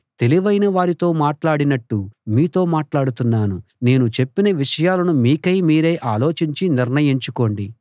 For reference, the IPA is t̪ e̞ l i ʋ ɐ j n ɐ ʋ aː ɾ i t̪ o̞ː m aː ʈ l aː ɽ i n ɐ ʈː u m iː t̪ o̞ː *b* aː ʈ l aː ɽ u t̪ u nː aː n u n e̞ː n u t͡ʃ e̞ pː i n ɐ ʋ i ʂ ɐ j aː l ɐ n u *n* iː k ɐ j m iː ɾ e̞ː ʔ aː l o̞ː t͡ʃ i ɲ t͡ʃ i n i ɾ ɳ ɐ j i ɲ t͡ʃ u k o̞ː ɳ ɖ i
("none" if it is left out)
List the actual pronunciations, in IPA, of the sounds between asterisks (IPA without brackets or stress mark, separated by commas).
m, m